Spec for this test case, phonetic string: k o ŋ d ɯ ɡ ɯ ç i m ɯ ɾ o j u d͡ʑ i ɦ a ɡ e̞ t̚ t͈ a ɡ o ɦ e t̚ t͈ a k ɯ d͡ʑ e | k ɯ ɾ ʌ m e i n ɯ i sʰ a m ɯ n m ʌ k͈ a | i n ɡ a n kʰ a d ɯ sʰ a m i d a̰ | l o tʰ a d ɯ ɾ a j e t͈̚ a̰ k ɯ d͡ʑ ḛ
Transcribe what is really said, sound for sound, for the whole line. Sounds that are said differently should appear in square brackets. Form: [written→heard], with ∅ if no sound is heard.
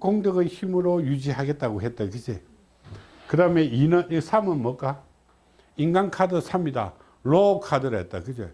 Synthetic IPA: k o ŋ d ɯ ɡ ɯ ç i m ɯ ɾ o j u d͡ʑ i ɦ a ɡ e̞ t̚ t͈ a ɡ o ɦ e t̚ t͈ a k ɯ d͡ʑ e | k ɯ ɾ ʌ m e i n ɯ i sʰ a m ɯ n m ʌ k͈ a | i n ɡ a n kʰ a d ɯ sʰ a m i d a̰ | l o [tʰ→kʰ] a d ɯ ɾ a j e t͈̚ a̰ k ɯ d͡ʑ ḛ